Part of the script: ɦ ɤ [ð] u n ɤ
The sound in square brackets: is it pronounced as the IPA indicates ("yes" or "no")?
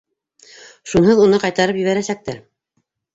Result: yes